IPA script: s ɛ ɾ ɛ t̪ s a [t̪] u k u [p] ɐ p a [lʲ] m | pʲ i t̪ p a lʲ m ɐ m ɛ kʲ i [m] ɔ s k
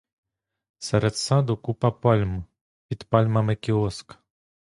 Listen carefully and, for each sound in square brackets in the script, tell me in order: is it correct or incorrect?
incorrect, correct, correct, incorrect

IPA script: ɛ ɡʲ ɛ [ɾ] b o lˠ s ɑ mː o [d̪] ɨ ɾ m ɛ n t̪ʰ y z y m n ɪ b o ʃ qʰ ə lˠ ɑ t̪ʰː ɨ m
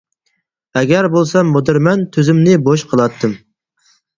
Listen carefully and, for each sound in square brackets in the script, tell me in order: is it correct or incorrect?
correct, correct

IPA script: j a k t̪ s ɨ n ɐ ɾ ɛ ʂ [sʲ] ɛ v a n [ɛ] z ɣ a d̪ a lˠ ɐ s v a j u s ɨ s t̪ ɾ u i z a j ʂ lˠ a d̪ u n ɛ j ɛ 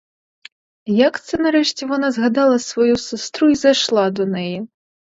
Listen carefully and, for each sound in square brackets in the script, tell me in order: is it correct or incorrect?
incorrect, incorrect

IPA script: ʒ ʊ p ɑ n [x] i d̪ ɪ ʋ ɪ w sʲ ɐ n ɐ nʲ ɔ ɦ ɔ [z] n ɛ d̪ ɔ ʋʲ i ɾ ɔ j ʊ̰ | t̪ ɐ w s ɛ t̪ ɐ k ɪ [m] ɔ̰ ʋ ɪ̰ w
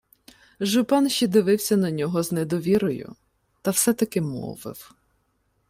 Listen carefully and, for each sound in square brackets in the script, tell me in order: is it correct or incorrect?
incorrect, correct, correct

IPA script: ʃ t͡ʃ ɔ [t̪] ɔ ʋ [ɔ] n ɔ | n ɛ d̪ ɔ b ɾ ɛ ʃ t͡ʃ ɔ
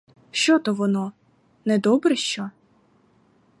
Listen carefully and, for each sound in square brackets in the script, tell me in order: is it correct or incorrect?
correct, correct

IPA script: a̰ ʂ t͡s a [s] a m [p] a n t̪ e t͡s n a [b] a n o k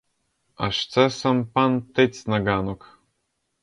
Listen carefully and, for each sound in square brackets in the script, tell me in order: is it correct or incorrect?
correct, correct, incorrect

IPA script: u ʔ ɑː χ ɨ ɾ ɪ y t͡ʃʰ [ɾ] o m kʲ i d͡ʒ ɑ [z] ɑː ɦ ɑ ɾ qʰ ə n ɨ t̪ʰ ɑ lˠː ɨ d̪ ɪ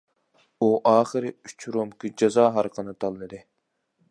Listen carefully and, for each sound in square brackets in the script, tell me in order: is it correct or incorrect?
correct, correct

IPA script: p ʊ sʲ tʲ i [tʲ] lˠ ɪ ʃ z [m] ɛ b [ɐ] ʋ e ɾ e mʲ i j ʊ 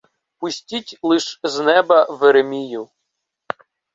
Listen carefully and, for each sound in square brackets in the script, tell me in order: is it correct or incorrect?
correct, incorrect, correct

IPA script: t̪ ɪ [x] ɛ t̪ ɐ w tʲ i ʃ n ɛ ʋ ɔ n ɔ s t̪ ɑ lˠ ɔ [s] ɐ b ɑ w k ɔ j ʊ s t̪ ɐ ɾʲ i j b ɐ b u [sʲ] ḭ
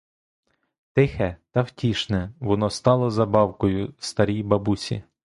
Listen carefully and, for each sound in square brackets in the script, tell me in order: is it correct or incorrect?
correct, incorrect, correct

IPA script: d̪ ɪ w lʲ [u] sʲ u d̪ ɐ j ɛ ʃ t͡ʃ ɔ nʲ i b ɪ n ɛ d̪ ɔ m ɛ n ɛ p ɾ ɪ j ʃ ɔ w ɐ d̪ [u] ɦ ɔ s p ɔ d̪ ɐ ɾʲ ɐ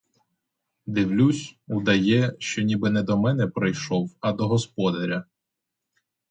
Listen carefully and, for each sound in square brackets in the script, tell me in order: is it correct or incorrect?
correct, incorrect

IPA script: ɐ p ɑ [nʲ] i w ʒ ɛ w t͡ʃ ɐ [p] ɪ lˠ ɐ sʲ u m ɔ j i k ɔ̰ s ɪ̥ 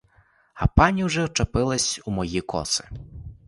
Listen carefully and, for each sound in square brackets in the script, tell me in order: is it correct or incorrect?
correct, correct

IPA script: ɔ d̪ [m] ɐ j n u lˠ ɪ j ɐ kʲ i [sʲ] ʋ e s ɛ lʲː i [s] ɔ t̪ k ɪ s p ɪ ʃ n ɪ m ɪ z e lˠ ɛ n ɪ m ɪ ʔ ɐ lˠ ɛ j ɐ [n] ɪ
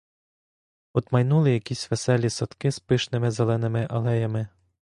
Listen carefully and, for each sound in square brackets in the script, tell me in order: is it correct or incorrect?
correct, correct, correct, incorrect

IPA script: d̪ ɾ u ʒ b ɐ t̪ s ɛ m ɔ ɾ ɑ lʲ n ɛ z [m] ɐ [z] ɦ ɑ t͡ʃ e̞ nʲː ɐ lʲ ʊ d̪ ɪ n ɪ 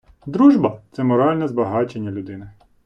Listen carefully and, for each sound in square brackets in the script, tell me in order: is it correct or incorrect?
incorrect, incorrect

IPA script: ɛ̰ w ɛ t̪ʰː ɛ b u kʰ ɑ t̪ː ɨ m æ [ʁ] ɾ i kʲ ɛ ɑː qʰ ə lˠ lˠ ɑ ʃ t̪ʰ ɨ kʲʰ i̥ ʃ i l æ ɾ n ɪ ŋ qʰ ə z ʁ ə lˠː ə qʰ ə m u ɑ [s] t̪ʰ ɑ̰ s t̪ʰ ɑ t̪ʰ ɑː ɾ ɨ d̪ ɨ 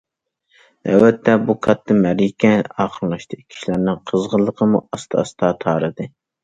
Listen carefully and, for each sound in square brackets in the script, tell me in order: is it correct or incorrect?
incorrect, correct

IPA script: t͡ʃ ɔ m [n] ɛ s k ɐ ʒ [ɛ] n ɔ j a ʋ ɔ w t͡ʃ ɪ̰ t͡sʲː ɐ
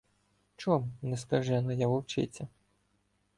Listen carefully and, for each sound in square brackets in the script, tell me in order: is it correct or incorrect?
correct, correct

